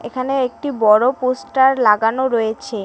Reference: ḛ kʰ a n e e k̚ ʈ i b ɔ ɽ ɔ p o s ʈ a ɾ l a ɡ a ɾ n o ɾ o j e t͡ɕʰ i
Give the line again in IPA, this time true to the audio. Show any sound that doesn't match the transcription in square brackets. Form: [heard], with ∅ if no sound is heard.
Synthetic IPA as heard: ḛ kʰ a n e e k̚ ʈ i b ɔ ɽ [o] p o s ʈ a ɾ l a ɡ a [∅] n o ɾ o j e t͡ɕʰ [e]